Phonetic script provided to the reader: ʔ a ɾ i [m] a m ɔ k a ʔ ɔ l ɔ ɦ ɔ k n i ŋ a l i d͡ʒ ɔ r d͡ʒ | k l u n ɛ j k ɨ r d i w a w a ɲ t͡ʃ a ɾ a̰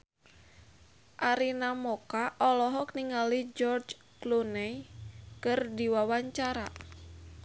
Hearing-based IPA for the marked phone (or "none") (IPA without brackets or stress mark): n